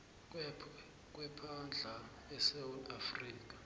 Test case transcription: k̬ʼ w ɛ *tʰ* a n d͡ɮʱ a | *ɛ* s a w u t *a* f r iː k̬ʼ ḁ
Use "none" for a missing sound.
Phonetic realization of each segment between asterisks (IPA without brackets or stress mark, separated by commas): pʰ, ɛ, a